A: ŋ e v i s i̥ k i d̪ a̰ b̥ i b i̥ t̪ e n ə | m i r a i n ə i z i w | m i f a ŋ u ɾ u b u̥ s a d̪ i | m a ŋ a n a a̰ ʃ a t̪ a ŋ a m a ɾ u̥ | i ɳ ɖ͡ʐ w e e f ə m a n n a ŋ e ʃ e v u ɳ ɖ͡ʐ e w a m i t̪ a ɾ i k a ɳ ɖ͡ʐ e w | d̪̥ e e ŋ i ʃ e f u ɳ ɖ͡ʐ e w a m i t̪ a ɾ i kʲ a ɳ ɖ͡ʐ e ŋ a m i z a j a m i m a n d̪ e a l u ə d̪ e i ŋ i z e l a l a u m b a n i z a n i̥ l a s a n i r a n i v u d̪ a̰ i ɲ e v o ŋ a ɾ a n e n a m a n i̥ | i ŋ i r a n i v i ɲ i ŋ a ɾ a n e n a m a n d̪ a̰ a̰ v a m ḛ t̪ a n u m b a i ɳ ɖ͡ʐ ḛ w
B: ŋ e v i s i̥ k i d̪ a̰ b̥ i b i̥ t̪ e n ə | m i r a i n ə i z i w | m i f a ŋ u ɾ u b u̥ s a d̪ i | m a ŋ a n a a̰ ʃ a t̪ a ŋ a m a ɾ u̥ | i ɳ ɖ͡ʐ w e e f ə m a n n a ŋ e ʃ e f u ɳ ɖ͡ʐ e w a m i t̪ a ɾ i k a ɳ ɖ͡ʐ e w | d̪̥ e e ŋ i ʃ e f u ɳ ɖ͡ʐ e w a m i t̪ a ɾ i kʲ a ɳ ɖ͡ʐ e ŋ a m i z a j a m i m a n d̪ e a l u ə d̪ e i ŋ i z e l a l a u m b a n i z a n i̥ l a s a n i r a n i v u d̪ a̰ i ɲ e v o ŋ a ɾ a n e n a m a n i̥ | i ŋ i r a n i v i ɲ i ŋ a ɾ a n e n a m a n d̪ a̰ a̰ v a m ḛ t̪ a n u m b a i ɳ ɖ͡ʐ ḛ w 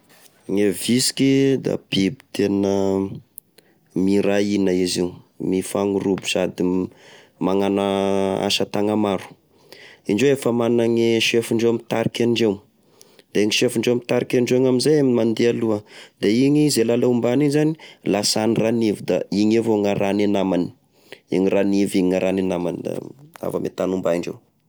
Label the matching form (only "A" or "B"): B